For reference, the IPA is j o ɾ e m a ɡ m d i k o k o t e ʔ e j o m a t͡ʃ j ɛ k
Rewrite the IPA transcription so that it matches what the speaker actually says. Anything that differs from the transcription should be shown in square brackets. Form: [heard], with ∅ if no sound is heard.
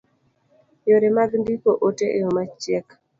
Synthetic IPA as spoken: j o ɾ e m a ɡ [n] d i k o [ʔ] o t e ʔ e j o m a t͡ʃ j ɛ k